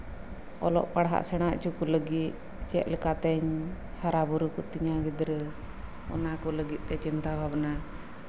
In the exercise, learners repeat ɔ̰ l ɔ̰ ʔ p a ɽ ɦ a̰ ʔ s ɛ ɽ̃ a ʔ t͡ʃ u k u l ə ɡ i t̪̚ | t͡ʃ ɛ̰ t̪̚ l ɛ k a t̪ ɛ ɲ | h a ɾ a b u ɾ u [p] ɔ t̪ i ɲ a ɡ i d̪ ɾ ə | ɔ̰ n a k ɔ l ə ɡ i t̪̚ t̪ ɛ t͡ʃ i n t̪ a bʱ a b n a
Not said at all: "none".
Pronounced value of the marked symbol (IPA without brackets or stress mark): k